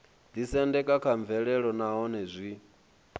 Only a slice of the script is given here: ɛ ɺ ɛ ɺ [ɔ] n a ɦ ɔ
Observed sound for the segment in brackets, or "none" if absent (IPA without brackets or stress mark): ɔ